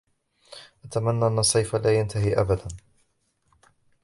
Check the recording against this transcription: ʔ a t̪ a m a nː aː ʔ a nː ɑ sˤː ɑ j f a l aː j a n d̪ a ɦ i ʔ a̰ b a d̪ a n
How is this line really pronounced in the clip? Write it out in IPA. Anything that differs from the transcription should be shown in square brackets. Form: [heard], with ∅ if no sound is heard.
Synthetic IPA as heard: ʔ a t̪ a m a nː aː ʔ a nː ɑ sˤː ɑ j f a l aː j a n [t̪] a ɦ i ʔ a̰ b a d̪ a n